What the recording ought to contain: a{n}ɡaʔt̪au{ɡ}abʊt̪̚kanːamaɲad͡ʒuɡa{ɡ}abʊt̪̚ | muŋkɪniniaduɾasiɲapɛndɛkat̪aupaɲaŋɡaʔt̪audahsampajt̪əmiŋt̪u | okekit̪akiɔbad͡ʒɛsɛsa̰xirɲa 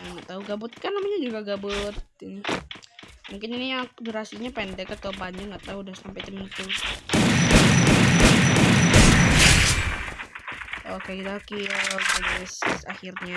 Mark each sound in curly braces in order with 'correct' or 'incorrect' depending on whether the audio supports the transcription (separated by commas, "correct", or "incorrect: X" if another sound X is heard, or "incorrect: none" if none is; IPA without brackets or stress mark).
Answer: incorrect: ŋ, correct, correct